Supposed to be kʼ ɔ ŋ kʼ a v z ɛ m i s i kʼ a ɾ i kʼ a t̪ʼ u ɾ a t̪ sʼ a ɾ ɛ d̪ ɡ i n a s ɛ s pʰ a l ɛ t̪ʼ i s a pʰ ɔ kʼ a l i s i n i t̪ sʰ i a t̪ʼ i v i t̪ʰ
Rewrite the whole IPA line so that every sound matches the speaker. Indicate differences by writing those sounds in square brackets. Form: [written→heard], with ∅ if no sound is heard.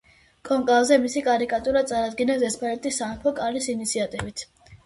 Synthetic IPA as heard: kʼ ɔ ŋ kʼ a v z ɛ m i s i kʼ a ɾ i kʼ a t̪ʼ u ɾ a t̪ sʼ a ɾ [ɛ→a] d̪ ɡ i n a s ɛ s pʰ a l ɛ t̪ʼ i s a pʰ ɔ kʼ a l i s i n i t̪ sʰ i a t̪ʼ i v i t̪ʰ